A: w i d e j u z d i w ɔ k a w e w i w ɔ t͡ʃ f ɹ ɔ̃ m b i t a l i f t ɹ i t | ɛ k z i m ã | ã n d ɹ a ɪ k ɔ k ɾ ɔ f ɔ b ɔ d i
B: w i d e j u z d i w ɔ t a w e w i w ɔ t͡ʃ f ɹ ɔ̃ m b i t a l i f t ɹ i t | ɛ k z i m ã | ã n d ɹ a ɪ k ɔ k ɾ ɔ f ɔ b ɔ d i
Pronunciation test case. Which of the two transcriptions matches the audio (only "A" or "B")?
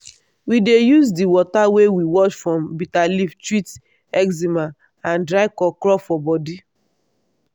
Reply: B